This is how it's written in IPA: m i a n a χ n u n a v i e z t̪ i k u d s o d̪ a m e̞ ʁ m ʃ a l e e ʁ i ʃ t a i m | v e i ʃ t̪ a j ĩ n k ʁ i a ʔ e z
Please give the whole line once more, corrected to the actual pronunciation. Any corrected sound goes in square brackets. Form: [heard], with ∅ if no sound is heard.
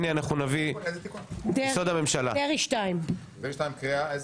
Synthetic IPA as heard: [n] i a n a χ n u n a v i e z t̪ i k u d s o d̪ a m e̞ [∅] m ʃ a l [a] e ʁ i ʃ t a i m | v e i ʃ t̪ a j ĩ [m] k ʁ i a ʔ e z